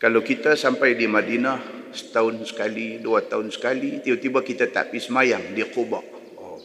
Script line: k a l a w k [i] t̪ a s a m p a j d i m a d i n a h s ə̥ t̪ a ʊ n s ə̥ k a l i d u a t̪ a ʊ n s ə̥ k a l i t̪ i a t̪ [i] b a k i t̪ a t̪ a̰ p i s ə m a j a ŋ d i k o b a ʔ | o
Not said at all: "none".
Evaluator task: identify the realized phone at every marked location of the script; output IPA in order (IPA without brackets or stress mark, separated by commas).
i, i